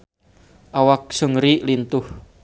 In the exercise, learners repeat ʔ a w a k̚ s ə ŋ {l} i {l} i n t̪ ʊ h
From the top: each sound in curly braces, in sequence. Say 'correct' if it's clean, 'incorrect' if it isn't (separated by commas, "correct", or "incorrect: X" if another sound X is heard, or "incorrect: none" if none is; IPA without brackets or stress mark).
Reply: incorrect: ɾ, correct